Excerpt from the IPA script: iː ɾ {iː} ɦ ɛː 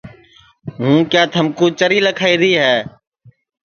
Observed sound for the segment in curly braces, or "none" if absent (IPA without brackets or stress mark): iː